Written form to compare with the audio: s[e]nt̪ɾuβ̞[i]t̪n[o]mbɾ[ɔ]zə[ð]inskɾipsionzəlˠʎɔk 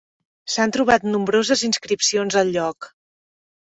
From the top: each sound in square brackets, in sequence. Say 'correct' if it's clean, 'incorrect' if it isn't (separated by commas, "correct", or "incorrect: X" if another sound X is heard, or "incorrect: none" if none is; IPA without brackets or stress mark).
incorrect: a, incorrect: a, incorrect: u, incorrect: o, incorrect: z